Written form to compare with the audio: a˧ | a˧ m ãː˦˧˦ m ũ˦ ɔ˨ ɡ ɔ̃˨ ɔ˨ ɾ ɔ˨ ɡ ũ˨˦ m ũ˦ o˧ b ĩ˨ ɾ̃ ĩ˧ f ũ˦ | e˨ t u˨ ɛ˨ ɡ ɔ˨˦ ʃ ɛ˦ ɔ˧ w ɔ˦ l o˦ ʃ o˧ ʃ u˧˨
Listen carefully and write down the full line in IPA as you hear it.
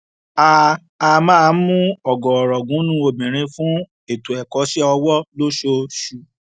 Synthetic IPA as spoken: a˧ | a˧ m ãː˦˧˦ m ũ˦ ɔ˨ ɡ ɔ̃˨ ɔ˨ ɾ ɔ˨ ɡ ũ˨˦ n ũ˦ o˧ b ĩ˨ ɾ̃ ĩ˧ f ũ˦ | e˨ t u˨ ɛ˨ k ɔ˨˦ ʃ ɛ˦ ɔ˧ w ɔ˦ l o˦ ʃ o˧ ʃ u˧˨